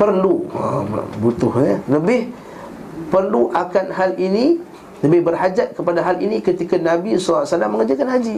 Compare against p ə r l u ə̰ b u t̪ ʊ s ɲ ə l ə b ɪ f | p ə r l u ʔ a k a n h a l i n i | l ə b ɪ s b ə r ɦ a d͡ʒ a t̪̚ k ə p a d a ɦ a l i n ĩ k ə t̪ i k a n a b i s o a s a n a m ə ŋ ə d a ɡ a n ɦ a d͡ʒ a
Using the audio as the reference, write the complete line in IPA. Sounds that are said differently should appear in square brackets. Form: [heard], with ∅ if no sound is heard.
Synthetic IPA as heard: p ə r l u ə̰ b u t̪ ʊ [h] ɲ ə l ə b ɪ [h] | p ə r l u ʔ a k a n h a l i n i | l ə b ɪ [h] b ə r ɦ a d͡ʒ a t̪̚ k ə p a d a ɦ a l i n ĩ k ə t̪ i k a n a b i s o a s a n a m ə ŋ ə [d͡ʒ] a [k] a n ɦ a d͡ʒ [i]